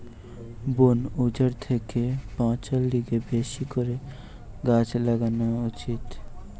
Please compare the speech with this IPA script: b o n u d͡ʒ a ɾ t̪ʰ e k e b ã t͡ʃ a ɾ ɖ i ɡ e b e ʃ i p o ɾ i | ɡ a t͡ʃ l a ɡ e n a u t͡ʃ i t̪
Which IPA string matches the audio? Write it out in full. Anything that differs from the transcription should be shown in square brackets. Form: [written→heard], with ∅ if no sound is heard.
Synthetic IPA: b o n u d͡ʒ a ɾ t̪ʰ e k e [b→p] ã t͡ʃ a [ɾ→l] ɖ i ɡ e b e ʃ i [p→k] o ɾ [i→e] | ɡ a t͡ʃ l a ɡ [e→a] n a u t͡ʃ i t̪